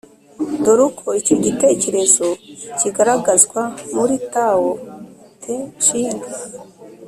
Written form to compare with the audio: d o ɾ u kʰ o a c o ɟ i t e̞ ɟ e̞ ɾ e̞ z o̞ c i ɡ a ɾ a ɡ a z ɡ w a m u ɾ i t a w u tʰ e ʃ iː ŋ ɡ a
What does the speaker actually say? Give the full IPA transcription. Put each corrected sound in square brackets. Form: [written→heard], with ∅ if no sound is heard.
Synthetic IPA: d o ɾ u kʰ o [a→i] c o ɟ i t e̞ [ɟ→c] e̞ ɾ e̞ z o̞ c i ɡ a ɾ a ɡ a z ɡ w a m u ɾ i t a w [u→o] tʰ e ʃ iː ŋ ɡ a